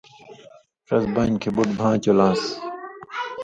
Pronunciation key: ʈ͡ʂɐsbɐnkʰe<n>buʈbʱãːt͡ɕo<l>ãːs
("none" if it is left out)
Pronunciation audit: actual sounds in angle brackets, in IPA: none, l

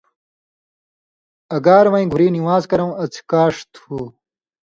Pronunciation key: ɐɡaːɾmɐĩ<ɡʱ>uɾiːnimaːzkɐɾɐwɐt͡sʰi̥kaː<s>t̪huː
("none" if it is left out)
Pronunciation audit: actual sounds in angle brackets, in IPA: ɡʱ, ʂ

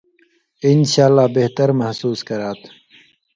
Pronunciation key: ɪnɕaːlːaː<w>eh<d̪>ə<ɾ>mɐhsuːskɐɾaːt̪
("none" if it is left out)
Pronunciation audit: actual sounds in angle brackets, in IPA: b, t̪, ɾ

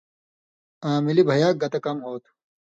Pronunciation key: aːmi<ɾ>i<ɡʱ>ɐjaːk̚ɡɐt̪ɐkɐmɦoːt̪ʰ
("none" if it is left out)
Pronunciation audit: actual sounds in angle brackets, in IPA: l, bʱ

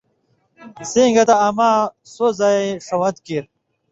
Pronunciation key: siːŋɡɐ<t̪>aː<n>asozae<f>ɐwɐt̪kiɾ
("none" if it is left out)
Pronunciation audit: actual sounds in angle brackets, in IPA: t̪, m, ʂ

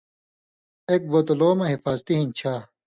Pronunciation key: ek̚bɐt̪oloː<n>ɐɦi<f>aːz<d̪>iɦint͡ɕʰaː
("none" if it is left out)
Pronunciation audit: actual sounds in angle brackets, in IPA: m, f, t̪

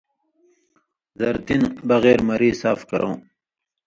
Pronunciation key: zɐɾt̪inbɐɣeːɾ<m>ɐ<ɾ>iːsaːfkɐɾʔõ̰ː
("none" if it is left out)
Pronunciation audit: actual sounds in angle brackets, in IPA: m, ɾ

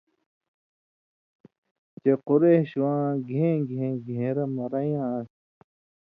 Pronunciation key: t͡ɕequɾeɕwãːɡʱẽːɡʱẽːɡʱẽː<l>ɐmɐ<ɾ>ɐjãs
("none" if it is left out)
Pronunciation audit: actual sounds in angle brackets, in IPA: ɾ, ɾ

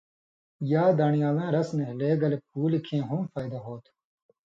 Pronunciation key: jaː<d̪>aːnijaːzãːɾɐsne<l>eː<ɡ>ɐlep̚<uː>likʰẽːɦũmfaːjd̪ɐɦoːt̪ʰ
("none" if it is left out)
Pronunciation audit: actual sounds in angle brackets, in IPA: d̪, l, ɡ, uː

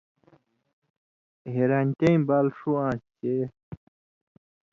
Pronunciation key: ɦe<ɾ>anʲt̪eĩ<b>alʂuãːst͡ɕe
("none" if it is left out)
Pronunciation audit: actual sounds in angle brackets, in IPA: ɾ, b

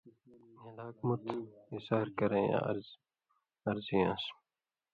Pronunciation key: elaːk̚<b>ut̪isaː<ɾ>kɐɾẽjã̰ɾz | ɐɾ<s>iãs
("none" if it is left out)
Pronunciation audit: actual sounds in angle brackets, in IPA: m, ɾ, z

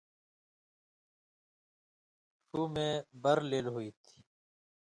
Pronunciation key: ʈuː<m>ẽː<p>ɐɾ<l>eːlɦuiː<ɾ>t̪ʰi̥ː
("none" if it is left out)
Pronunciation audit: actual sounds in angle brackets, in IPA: m, b, l, none

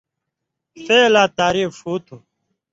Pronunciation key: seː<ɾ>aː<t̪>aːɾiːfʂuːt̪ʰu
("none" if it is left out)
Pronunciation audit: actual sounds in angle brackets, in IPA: l, t̪

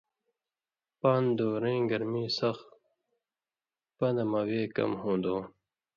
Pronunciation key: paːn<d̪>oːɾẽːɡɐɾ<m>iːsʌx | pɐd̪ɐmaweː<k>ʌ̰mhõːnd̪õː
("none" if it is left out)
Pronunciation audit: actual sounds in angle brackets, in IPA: d̪, m, k

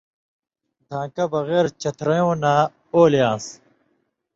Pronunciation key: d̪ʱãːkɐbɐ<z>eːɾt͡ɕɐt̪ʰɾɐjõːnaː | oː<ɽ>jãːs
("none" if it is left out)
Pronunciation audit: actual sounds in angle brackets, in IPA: ɣ, l

